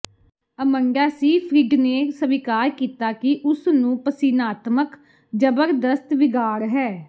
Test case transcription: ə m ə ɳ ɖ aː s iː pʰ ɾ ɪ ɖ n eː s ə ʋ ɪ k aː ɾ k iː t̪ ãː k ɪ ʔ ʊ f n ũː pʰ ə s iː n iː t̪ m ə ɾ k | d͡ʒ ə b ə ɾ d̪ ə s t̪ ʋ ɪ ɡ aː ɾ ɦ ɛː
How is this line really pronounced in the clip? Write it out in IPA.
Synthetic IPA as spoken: ə m ə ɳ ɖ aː s iː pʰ ɾ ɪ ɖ n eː s ə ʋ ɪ k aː ɾ k iː t̪ aː k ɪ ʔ ʊ s n ũː p ə s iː n aː t̪ m ə k | d͡ʒ ə b ə ɾ d̪ ə s t̪ ʋ ɪ ɡ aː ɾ ɦ ɛː